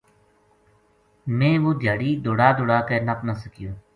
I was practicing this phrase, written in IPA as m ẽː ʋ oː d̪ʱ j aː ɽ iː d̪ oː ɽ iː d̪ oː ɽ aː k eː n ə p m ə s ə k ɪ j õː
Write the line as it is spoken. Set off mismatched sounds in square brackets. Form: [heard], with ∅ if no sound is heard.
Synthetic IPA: m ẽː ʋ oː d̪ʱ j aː ɽ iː d̪ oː ɽ [aː] d̪ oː ɽ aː k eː n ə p [n] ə s ə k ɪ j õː

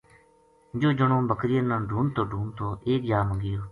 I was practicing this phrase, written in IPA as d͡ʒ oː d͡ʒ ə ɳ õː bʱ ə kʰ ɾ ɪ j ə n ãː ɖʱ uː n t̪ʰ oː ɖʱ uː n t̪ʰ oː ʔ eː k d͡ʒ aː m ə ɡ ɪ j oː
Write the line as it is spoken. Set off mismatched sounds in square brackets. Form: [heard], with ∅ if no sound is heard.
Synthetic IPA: d͡ʒ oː d͡ʒ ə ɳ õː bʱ ə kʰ ɾ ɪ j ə n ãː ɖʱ uː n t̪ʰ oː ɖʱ uː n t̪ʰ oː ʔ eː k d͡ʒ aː m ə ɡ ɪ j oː

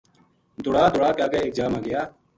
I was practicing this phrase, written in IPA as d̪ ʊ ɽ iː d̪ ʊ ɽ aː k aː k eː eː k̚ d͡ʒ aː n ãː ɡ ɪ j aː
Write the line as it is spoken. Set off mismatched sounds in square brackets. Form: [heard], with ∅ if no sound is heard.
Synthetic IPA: d̪ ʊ ɽ [aː] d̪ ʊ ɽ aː k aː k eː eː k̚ d͡ʒ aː [m] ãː ɡ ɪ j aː

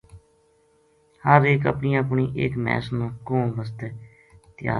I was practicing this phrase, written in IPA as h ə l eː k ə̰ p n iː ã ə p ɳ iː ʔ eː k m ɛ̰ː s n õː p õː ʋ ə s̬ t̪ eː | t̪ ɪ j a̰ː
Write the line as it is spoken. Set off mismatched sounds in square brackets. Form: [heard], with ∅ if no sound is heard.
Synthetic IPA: h ə [ɾ] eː k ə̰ p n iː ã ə p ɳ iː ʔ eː k m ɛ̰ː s n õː [k] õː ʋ ə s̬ t̪ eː | t̪ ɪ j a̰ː

